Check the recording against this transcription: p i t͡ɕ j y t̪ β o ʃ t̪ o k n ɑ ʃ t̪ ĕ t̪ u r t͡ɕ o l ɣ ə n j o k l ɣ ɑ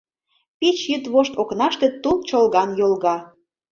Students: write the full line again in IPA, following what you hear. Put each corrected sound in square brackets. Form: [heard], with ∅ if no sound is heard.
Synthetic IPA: p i t͡ɕ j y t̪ β o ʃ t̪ o k n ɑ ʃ t̪ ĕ t̪ u [l] t͡ɕ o l ɣ [ɑ] n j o [∅] l ɣ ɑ